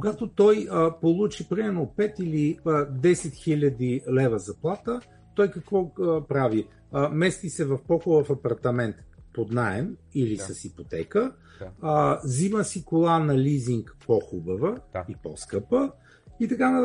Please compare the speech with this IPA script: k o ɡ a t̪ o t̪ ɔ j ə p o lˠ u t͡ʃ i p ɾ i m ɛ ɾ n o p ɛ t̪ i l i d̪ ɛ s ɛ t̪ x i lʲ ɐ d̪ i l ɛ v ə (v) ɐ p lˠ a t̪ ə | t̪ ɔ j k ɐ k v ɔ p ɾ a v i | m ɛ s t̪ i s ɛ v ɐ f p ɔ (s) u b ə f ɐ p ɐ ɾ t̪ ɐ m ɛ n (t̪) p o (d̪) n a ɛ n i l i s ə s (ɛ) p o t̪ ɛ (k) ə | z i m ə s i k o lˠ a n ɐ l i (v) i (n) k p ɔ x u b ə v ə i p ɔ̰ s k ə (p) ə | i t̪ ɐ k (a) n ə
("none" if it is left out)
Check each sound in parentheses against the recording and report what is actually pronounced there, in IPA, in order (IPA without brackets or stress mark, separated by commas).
z, x, t̪, d̪, i, k, z, ŋ, p, a